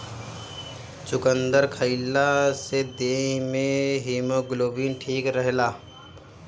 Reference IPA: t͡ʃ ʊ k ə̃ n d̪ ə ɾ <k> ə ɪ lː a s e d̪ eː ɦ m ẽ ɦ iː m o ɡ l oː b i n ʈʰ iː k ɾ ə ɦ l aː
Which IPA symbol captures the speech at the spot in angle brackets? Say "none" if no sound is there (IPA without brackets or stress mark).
kʰ